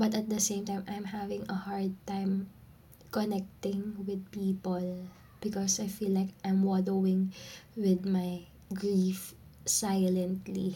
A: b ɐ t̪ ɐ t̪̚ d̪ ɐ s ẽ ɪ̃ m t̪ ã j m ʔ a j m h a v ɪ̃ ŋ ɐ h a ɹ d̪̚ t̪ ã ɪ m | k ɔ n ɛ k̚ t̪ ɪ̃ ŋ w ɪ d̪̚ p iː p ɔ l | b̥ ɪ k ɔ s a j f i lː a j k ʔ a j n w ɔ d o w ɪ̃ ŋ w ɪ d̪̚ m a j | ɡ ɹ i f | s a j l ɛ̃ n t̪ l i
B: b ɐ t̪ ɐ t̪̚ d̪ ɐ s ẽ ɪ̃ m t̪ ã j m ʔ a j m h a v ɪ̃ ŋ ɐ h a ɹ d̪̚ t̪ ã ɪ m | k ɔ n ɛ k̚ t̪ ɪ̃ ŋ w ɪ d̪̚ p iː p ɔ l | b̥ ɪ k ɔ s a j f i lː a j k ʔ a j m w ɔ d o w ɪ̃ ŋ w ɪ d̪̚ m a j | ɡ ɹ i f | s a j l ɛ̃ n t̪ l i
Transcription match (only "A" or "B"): B